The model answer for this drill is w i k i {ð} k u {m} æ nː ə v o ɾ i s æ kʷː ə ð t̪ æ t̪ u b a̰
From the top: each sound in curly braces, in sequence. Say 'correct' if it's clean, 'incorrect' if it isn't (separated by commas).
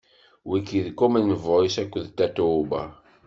correct, correct